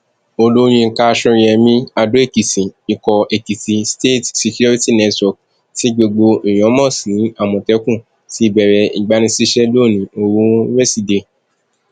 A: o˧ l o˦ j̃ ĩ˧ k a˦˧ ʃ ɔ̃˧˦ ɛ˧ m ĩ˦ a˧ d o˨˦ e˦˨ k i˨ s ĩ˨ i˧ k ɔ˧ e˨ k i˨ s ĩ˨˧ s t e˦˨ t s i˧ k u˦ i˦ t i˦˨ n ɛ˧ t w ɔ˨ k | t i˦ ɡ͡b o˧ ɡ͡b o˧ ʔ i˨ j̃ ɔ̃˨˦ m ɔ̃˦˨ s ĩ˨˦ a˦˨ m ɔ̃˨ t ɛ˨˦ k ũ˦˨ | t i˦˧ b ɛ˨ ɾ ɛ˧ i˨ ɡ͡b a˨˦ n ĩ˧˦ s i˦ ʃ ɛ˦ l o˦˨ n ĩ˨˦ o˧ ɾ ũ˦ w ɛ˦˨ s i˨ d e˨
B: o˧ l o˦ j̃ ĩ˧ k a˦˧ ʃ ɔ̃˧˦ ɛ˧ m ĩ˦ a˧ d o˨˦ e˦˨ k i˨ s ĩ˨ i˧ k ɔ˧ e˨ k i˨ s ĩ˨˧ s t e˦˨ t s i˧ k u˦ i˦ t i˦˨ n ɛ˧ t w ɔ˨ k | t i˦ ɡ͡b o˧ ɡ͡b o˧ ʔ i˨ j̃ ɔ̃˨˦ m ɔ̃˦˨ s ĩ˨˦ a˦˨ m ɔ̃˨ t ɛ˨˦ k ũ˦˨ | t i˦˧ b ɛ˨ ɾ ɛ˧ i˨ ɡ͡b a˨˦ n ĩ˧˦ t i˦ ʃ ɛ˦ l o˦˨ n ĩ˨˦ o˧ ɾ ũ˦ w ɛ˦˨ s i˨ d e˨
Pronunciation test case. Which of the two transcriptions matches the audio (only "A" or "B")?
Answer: A